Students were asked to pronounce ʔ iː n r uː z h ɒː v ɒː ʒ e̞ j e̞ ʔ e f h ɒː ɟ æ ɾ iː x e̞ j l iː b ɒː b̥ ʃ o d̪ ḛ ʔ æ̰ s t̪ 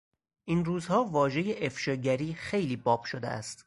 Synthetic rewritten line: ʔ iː n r uː z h ɒː v ɒː ʒ e̞ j e̞ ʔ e f ʃ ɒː ɟ æ ɾ iː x e̞ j l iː b ɒː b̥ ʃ o d̪ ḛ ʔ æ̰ s t̪